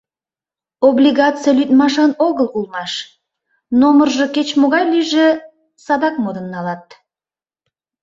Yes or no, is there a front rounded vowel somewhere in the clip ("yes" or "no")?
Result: yes